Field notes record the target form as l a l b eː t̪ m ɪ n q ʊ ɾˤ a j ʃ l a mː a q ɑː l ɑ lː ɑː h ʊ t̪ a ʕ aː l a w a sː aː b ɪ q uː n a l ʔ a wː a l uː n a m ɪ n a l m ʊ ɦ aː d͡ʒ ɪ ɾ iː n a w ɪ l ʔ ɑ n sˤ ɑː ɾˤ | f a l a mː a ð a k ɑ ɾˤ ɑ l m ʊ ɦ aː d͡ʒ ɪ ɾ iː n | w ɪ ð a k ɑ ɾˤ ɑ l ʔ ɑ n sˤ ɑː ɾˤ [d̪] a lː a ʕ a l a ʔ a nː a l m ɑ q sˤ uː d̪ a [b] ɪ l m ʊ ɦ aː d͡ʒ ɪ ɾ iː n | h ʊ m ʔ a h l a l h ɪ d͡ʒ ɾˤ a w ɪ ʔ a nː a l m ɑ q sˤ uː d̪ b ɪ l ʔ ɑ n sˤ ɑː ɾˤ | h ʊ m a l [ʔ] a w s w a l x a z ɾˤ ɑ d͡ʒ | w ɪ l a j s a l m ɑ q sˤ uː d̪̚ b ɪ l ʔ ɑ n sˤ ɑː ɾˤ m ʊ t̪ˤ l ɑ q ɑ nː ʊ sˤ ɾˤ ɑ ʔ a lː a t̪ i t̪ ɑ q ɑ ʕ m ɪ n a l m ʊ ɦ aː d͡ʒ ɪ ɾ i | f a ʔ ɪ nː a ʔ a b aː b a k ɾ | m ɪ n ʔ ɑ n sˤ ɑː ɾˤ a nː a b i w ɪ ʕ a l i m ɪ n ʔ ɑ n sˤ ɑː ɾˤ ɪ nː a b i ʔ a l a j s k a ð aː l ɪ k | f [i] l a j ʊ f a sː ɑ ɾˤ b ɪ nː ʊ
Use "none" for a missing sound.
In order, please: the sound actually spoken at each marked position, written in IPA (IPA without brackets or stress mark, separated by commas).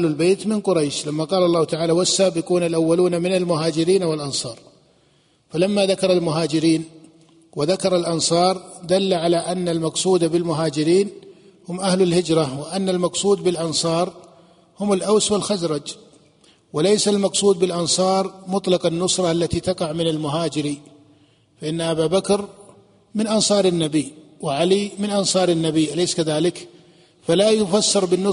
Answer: d̪, b, ʔ, a